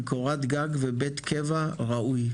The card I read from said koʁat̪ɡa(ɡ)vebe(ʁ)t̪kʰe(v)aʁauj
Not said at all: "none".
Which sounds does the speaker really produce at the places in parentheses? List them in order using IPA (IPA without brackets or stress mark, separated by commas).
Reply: ɡ, none, v